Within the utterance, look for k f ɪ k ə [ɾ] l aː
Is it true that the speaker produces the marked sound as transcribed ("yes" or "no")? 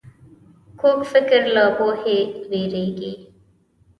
yes